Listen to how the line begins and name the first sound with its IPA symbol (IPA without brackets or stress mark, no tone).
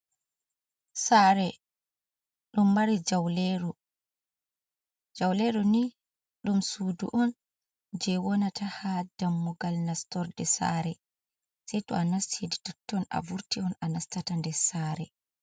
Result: s